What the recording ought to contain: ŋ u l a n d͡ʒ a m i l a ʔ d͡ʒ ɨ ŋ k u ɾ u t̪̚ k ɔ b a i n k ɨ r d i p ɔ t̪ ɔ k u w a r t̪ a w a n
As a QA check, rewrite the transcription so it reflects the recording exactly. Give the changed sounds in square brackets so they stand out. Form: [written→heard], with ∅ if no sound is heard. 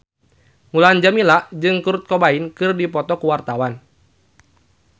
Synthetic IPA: ŋ u l a n d͡ʒ a m i l a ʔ d͡ʒ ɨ ŋ k u ɾ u t̪̚ k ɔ b a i n k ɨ r d i p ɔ t̪ ɔ k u w a r t̪ a w a n